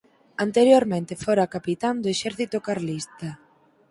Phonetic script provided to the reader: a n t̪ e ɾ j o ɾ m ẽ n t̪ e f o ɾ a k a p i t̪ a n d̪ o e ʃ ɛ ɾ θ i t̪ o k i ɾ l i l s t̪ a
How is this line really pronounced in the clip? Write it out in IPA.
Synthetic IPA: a n t̪ e ɾ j o ɾ m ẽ n t̪ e f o ɾ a k a p i t̪ a n d̪ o e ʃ ɛ ɾ θ i t̪ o k a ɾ l i s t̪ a

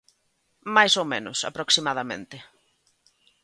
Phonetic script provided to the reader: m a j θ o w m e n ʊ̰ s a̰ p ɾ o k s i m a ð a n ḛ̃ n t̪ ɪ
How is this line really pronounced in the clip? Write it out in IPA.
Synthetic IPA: m a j s o w m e n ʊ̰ s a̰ p ɾ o k s i m a ð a m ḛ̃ n t̪ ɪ

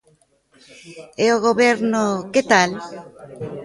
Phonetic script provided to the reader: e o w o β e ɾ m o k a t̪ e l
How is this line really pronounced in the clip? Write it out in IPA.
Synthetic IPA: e o ɣ o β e ɾ n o k e t̪ a l

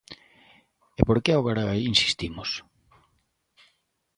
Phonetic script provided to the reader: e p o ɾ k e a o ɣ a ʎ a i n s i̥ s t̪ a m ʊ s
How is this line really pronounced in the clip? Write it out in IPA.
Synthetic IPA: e p o ɾ k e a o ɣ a ɾ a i n s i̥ s t̪ i m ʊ s

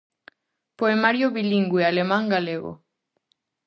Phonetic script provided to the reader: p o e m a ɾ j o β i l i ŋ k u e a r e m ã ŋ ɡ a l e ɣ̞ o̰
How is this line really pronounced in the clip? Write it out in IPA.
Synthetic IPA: p o e m a ɾ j o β i l i ŋ ɡ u e a l e m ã ŋ ɡ a l e ɣ̞ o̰

